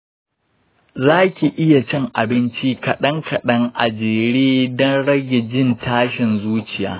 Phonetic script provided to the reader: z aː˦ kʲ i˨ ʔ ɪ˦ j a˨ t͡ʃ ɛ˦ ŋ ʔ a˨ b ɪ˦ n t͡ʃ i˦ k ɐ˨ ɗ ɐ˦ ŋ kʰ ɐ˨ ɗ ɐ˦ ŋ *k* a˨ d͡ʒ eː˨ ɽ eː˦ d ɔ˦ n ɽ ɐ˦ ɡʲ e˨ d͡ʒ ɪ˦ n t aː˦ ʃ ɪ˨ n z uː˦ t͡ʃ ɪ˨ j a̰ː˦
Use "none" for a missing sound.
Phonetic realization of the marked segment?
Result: ʔ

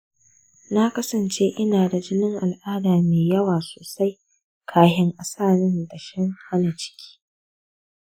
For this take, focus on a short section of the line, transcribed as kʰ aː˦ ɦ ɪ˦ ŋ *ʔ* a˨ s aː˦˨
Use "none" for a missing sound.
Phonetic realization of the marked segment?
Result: ʔ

